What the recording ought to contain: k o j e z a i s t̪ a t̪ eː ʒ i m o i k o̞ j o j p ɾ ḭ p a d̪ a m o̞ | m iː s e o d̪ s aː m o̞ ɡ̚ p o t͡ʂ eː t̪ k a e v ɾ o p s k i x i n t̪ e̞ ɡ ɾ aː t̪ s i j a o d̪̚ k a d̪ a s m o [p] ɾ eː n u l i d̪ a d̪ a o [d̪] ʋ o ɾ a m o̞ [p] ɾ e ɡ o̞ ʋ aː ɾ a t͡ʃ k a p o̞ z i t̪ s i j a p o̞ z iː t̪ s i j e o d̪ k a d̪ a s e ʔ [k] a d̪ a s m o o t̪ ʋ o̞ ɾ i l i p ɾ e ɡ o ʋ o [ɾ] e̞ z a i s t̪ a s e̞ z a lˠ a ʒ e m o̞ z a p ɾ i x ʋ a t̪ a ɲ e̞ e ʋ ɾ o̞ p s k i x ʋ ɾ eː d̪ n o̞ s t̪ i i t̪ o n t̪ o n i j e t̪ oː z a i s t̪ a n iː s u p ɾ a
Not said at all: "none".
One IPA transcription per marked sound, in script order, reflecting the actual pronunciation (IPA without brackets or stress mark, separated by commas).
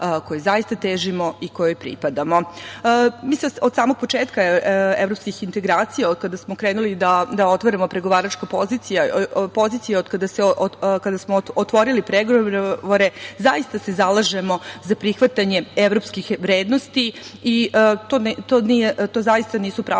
k, t̪, p, k, ɾ